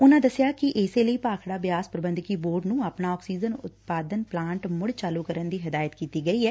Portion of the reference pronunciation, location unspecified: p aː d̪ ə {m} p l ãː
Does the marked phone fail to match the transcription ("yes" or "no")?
yes